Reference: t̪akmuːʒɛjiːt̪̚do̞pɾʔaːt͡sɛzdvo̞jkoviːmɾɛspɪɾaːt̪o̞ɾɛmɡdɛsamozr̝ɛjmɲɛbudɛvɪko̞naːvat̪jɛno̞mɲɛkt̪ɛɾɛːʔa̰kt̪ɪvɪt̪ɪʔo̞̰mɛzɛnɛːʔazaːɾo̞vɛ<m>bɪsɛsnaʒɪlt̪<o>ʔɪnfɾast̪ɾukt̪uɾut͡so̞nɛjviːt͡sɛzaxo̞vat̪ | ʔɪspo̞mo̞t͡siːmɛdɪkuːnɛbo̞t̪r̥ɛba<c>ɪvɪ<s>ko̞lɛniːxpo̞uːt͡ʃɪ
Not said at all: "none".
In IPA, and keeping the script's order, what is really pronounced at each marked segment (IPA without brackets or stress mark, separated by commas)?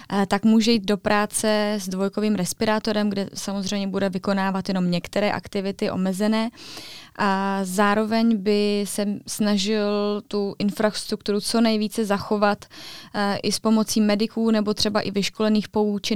ɲ, u, ʔ, ʃ